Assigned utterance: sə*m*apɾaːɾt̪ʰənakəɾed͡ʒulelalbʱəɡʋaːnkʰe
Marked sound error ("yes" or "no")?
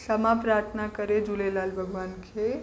no